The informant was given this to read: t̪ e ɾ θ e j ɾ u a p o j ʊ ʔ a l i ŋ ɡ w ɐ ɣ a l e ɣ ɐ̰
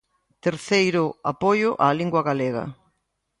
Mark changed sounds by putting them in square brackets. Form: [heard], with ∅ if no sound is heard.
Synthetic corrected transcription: t̪ e ɾ θ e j ɾ [ʊ] a p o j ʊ ʔ a l i ŋ ɡ w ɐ ɣ a l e ɣ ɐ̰